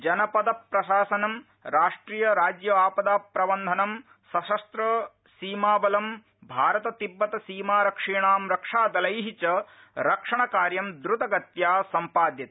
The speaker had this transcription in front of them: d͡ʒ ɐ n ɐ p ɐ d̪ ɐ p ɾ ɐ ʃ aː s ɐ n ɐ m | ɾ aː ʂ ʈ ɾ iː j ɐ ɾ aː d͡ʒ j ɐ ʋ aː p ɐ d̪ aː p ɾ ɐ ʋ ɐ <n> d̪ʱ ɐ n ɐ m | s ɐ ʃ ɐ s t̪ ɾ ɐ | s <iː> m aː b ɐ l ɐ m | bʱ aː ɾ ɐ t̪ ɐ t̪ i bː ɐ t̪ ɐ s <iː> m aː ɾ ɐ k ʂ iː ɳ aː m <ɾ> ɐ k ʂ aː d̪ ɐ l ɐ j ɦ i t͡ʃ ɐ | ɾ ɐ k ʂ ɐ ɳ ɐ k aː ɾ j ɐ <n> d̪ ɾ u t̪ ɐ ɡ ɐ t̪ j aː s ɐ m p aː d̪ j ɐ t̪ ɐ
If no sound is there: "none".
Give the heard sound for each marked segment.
n, iː, iː, ɾ, m

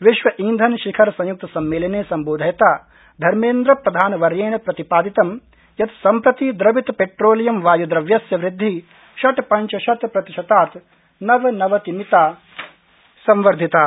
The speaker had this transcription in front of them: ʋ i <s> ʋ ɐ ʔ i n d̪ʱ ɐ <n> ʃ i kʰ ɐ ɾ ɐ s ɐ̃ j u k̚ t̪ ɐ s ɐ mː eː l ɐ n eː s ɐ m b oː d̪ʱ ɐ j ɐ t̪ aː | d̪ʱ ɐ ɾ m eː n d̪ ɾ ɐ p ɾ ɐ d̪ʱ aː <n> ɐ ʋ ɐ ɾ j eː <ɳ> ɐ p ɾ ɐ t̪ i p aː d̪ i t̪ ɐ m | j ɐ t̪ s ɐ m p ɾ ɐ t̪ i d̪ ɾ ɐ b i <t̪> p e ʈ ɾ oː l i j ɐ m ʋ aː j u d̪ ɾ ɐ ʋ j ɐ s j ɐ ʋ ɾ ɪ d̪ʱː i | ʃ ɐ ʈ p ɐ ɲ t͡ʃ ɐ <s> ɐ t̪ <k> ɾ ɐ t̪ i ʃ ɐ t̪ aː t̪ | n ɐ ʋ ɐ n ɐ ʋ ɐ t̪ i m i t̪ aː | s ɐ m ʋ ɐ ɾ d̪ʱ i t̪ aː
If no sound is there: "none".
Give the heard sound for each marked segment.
ʃ, n, n, n, t̪, ʃ, p

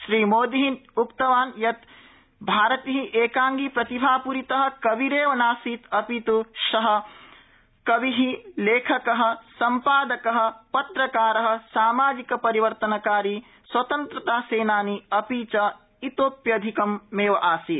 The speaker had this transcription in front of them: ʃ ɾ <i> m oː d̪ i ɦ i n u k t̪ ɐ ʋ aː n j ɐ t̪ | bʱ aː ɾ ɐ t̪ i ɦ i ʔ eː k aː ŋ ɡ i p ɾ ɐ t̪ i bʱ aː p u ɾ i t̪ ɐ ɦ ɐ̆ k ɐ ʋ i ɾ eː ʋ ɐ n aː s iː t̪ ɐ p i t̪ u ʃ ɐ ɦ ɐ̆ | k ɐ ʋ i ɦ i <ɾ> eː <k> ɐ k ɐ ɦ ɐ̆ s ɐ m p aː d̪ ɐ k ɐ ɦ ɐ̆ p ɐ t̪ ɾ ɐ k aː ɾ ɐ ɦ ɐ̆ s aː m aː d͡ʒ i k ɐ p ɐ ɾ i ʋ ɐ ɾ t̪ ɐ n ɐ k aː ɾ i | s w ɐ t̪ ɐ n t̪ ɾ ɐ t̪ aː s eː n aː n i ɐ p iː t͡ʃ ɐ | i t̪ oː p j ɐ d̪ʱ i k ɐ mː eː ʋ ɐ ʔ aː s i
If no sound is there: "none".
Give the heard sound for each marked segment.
iː, l, kʰ

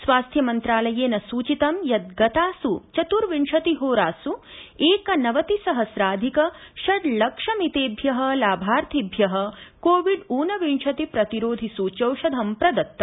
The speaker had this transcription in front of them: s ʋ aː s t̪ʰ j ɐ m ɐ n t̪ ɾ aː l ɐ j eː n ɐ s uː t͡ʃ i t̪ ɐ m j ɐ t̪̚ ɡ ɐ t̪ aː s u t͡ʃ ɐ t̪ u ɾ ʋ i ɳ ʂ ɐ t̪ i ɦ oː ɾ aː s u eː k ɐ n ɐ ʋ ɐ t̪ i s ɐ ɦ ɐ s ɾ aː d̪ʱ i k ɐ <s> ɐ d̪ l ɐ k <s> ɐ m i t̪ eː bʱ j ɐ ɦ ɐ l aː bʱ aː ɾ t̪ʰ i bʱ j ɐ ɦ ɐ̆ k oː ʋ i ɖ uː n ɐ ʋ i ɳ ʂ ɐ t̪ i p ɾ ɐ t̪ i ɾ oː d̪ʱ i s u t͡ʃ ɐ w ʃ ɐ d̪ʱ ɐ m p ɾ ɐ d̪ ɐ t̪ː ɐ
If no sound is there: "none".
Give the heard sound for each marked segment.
ʃ, ʂ

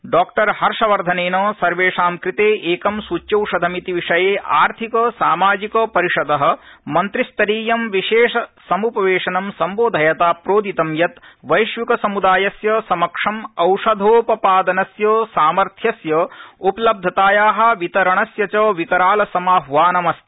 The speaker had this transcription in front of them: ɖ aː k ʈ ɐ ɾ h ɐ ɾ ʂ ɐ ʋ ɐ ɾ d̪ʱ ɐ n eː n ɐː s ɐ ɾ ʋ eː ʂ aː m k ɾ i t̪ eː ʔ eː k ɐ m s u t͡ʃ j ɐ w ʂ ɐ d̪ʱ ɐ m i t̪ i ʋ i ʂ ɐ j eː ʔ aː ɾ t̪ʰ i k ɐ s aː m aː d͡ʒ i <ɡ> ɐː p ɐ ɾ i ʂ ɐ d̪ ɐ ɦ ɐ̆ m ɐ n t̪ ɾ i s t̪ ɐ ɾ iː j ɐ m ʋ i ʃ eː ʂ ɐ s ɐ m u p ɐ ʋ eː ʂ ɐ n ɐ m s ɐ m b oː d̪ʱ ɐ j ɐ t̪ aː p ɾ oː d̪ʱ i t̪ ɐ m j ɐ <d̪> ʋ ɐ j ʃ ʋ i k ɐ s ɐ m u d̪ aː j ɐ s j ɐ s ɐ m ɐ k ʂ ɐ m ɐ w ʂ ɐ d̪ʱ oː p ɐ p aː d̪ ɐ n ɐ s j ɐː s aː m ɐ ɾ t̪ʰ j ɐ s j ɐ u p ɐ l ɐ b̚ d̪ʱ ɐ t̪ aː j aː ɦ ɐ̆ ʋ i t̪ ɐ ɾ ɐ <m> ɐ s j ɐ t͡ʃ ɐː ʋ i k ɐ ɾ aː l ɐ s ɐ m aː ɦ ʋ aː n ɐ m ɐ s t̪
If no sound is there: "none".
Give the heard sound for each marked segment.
k, t̪, ɳ

